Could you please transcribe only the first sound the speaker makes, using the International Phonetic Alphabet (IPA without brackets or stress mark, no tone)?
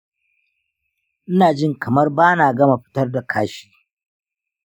ʔ